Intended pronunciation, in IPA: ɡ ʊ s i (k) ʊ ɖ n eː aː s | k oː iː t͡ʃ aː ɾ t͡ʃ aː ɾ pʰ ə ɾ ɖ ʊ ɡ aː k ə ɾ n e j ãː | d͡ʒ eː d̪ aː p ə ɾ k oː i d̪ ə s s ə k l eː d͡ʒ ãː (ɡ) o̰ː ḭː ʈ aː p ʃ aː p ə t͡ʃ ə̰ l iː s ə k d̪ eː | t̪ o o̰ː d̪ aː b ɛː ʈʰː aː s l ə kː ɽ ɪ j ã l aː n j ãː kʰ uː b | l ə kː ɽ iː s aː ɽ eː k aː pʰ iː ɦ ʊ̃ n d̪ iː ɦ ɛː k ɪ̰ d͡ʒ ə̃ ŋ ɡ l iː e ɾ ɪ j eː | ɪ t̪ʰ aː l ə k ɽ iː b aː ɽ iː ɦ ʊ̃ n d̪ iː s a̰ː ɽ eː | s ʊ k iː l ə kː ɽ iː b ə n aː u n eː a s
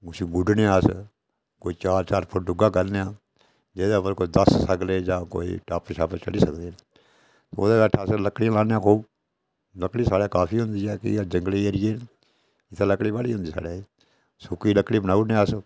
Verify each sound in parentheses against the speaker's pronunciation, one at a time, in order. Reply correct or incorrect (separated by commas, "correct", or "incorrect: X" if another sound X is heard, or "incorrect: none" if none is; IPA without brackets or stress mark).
incorrect: ɡ, incorrect: k